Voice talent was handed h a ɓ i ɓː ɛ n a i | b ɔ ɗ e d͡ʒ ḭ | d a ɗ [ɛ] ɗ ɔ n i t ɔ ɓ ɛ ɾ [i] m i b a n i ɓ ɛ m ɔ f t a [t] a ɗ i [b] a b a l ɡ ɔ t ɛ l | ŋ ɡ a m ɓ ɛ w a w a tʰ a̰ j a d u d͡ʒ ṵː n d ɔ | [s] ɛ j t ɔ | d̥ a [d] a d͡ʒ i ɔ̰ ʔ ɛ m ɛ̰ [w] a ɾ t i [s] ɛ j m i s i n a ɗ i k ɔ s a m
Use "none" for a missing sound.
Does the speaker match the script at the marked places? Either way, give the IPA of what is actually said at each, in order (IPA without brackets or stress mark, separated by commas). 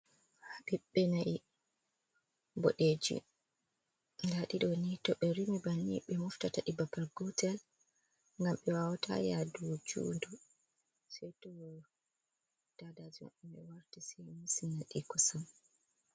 i, i, t, b, s, d, w, s